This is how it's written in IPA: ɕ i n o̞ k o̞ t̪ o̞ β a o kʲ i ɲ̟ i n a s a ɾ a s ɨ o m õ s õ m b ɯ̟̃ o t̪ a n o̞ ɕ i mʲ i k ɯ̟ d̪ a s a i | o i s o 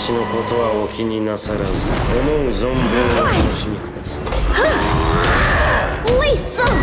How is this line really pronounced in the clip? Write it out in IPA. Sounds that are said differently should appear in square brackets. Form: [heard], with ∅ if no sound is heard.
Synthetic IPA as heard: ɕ i n o̞ k o̞ t̪ o̞ β a o kʲ i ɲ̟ i n a s a ɾ a [z] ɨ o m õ [z] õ m b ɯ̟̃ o t̪ a n o̞ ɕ i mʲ i k ɯ̟ d̪ a s a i | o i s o